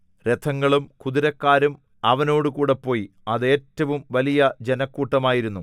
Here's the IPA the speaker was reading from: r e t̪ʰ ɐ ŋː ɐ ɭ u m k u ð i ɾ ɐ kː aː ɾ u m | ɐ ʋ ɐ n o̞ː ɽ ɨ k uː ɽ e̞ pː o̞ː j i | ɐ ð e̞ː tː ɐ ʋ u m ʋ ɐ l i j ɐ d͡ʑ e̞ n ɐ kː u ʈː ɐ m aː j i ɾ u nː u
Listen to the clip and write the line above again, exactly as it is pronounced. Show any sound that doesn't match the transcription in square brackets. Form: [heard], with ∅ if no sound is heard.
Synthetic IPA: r e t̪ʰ ɐ ŋː ɐ ɭ u m k u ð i ɾ ɐ kː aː ɾ u m | ɐ ʋ ɐ n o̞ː ɽ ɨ k uː ɽ e̞ pː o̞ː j i | ɐ ð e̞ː tː ɐ ʋ u m ʋ ɐ l i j ɐ d͡ʑ e̞ n ɐ kː [uː] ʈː ɐ m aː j i ɾ u nː u